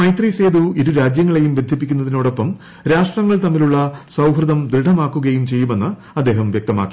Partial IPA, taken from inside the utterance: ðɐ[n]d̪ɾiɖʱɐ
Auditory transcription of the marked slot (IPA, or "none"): m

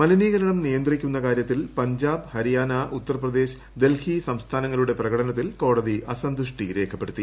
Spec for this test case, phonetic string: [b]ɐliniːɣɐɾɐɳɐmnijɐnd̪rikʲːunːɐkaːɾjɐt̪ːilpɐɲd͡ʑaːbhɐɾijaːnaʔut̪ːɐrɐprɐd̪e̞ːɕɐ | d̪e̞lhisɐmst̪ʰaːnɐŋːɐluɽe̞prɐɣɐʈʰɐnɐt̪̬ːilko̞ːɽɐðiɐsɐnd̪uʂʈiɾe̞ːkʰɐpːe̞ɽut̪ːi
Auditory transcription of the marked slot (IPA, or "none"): m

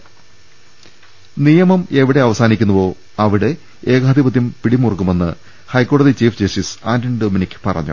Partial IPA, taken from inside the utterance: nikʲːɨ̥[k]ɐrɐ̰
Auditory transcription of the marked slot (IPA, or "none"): p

